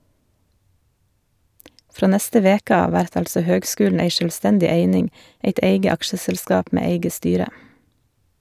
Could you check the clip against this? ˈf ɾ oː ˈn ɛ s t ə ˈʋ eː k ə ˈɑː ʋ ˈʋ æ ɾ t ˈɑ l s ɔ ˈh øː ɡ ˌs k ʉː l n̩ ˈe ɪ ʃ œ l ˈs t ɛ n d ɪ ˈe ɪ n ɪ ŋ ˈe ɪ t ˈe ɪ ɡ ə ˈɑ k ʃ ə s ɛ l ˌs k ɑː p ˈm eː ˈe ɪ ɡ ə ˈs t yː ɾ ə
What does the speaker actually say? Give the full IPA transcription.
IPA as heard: ˈf ɾ oː ˈn ɛ s t ə ˈʋ eː k ə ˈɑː ʋ ˈʋ æ ɾ t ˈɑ l s ɔ ˈh øː ɡ ˌs k ʉː l n̩ ˈe ɪ ʃ œ l ˈs t ɛ n d ɪ ˈe ɪ n ɪ ŋ ˈe ɪ t ˈe ɪ ɡ ə ˈɑ k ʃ ə s ɛ l ˌs k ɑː p ˈm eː ˈe ɪ ɡ ə ˈs t yː ɾ ə